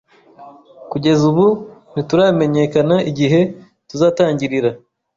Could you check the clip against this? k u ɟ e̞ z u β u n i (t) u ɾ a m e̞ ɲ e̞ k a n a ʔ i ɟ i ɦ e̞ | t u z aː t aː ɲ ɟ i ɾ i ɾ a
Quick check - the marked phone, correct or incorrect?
correct